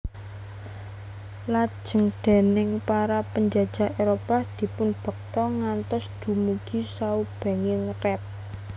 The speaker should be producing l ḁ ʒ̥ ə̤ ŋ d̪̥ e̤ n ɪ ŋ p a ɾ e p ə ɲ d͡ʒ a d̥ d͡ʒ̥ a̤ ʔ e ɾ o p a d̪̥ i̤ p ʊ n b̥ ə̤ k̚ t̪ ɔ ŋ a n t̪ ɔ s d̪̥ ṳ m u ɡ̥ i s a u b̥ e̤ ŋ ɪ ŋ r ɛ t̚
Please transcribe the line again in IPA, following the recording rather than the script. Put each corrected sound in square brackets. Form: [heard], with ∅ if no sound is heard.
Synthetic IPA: l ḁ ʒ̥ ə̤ ŋ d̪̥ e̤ n ɪ ŋ p a ɾ [a] p ə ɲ d͡ʒ a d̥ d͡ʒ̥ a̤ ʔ e ɾ o p a d̪̥ i̤ p ʊ n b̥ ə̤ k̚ t̪ ɔ ŋ a n t̪ ɔ s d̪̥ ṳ m u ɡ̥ i s a u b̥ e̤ ŋ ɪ ŋ r ɛ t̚

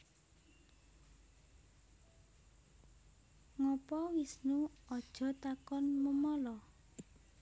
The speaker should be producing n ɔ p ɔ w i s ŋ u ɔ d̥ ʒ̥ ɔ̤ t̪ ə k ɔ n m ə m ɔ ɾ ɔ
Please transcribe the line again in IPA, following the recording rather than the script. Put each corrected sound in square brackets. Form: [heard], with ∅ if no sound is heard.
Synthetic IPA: [ŋ] ɔ p ɔ w i s [n] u ɔ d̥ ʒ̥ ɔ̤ t̪ [a] k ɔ n m ə m ɔ [l] ɔ

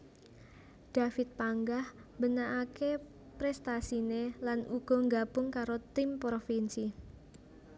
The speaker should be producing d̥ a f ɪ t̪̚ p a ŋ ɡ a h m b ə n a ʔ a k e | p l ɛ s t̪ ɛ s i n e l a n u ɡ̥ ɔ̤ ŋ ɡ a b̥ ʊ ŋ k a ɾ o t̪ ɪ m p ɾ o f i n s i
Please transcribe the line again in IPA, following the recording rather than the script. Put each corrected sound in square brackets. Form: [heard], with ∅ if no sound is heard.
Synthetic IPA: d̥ a f ɪ t̪̚ p a ŋ ɡ a h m b ə n a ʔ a k e | p [ɾ] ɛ s t̪ [a] s i n e l a n u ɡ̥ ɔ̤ ŋ ɡ a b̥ ʊ ŋ k a ɾ o t̪ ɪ m p ɾ o f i n s i

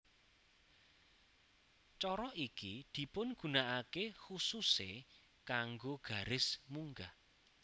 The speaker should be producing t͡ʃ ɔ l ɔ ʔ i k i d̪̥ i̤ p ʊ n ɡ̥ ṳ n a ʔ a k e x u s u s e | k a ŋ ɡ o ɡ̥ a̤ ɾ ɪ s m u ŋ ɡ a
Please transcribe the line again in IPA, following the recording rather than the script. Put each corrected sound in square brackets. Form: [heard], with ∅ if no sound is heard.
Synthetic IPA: t͡ʃ ɔ [ɾ] ɔ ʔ i k i d̪̥ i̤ p ʊ n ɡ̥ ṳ n a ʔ a k e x u s u s e | k a ŋ ɡ o ɡ̥ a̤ ɾ ɪ s m u ŋ ɡ a

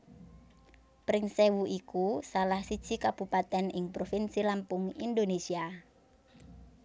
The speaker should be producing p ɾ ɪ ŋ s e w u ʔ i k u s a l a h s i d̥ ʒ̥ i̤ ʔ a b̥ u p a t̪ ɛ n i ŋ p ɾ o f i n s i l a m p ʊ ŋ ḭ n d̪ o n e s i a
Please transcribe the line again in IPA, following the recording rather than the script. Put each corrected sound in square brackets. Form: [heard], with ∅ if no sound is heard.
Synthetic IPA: p ɾ ɪ ŋ s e w u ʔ i k u s a l a h s i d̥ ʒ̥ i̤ [k] a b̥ u p a t̪ ɛ n [ɪ] ŋ p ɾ o f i n s i l a m p ʊ ŋ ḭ n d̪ o n e s i a

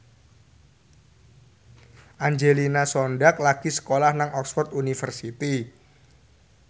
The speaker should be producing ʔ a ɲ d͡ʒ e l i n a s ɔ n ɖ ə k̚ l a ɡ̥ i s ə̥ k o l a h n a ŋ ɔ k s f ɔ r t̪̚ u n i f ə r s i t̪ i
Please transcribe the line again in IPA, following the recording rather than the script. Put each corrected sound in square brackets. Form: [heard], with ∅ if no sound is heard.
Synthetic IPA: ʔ a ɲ d͡ʒ e l i n a s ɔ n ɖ [a] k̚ l a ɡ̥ i s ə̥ k o l a h n a ŋ ɔ k s f ɔ r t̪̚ u n i f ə r s i t̪ i

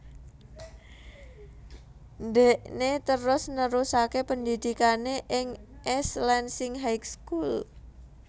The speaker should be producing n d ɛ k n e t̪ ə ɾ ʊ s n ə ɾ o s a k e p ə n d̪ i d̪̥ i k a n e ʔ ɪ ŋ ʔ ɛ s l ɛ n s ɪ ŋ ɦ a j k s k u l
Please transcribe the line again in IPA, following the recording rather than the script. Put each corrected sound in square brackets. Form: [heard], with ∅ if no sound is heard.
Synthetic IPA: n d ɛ [ʔ] n e t̪ ə ɾ ʊ s n ə ɾ [u] s a k e p ə n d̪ i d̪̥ i k a n e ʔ ɪ ŋ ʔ ɛ s l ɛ n s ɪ ŋ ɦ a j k s k u l

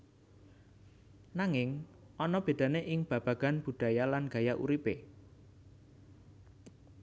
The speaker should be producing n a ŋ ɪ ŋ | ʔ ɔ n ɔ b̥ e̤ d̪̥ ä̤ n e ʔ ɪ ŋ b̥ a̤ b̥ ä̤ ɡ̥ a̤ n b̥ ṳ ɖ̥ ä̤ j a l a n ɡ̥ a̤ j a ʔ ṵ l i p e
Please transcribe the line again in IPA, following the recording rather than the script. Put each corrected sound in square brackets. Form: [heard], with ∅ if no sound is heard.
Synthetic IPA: n a ŋ ɪ ŋ | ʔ ɔ n ɔ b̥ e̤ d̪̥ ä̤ n e ʔ ɪ ŋ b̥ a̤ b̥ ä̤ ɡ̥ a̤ n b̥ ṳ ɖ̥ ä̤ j a l a n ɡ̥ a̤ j a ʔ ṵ [ɾ] i p e

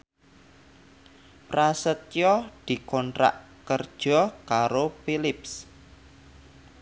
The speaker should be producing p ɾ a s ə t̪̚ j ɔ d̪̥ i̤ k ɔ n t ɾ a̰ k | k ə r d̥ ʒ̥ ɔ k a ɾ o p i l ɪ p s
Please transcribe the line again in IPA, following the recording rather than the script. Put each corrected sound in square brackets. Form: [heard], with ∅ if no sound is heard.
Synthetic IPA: p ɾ a s ə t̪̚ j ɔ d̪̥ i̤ k ɔ n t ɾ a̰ [ʔ] | k ə r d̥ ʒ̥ ɔ k a ɾ o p i l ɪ p s

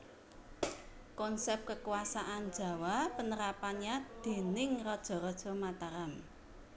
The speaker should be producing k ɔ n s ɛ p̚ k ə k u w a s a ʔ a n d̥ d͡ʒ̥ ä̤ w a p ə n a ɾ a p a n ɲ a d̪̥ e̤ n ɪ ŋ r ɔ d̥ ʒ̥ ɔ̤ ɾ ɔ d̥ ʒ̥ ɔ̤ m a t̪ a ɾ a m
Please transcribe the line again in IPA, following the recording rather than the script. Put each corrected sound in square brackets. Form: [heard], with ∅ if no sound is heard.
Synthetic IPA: k ɔ n s ɛ p̚ k ə k u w a s a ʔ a n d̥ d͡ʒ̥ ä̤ w a p ə n [ə] ɾ a p a n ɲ a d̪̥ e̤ n ɪ ŋ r ɔ d̥ ʒ̥ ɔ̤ ɾ ɔ d̥ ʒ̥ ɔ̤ m a t̪ a ɾ a m

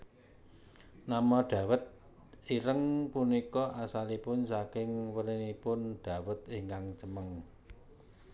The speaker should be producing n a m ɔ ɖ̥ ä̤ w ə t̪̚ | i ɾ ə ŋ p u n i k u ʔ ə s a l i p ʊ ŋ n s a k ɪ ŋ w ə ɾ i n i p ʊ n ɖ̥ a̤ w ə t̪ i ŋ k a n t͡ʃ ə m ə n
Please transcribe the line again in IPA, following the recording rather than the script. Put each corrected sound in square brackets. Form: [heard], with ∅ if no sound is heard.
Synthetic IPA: n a m ɔ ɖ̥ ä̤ w ə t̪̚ | i ɾ ə ŋ p u n i k [ɔ] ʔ [a] s a l i p ʊ [∅] n s a k ɪ ŋ w ə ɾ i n i p ʊ n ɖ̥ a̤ w ə t̪ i ŋ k a [ŋ] t͡ʃ ə m ə [ŋ]

